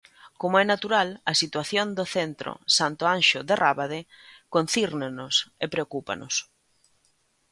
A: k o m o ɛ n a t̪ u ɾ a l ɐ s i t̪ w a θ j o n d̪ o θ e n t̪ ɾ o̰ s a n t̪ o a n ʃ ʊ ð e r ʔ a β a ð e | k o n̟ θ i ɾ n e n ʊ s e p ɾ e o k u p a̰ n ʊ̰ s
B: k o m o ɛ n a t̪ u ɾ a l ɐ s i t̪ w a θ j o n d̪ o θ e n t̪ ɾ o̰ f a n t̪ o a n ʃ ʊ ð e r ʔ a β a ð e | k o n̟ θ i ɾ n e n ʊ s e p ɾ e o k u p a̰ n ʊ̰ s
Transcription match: A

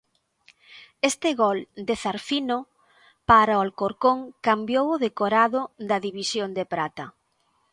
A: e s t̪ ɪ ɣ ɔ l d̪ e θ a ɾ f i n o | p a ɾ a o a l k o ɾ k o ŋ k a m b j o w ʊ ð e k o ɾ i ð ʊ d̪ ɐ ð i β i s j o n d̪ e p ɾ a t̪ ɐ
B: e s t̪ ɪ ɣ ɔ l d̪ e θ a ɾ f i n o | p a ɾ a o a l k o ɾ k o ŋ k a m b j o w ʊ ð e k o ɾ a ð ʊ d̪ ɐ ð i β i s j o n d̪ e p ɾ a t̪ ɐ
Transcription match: B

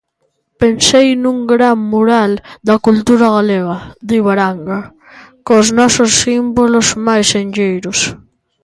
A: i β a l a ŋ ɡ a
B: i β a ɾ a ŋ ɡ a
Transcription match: B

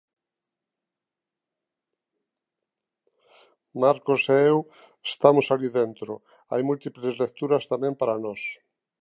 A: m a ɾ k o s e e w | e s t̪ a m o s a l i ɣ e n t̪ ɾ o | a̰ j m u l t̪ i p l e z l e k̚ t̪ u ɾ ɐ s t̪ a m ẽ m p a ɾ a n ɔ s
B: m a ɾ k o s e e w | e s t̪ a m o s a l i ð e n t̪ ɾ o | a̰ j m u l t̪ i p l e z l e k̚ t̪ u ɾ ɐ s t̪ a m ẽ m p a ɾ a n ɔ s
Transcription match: B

